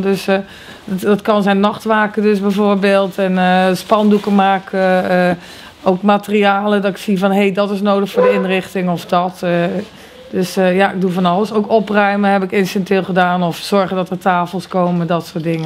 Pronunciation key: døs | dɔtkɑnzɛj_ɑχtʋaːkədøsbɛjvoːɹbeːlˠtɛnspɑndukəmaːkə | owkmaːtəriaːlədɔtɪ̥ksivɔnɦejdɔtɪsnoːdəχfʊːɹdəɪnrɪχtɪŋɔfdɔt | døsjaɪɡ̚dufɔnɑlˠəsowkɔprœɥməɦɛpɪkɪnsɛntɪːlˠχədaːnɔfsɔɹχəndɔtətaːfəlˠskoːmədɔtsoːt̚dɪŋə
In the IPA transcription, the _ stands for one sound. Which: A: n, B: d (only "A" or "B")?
A